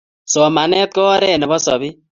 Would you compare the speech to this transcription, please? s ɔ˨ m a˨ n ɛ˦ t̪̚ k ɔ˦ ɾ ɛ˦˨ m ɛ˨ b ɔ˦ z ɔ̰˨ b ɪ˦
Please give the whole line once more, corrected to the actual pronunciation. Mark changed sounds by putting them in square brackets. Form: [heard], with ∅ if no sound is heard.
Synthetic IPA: s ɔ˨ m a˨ n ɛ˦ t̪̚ k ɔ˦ ɾ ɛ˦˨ [n] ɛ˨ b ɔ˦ [s] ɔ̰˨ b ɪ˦